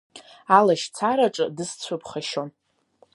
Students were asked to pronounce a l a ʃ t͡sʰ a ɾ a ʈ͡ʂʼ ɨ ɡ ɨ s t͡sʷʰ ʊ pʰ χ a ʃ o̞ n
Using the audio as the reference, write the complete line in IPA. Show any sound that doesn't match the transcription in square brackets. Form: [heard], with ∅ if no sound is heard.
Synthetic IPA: a l a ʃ t͡sʰ a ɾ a ʈ͡ʂʼ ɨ [d] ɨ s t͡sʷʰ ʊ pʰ χ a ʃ o̞ n